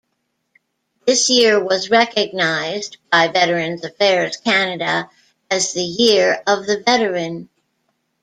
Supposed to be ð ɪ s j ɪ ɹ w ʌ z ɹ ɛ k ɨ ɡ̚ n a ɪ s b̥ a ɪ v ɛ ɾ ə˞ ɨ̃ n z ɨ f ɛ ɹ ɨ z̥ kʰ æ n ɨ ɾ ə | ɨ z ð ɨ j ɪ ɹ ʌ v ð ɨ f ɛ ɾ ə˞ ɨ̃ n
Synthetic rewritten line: ð ɪ s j ɪ ɹ w ʌ z ɹ ɛ k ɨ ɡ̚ n a ɪ z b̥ a ɪ v ɛ ɾ ə˞ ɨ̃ n z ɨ f ɛ ɹ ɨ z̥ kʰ æ n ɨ ɾ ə | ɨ z ð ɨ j ɪ ɹ ʌ v ð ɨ v ɛ ɾ ə˞ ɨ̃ n